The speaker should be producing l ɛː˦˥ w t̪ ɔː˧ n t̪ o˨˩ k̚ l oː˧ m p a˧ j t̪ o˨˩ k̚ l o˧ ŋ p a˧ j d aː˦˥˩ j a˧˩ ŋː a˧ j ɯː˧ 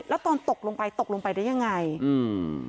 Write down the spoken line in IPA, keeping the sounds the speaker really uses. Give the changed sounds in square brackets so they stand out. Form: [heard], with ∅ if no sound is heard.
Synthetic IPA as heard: l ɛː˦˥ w t̪ ɔː˧ n t̪ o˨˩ k̚ l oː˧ [ŋ] p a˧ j t̪ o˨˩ k̚ l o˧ ŋ p a˧ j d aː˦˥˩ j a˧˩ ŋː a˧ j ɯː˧